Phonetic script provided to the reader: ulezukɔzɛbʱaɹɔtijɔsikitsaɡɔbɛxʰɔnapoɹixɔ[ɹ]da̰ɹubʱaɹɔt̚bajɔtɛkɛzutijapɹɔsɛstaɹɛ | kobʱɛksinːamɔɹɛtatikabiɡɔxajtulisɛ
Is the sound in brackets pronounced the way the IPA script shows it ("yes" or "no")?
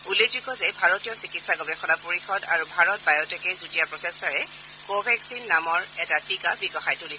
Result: no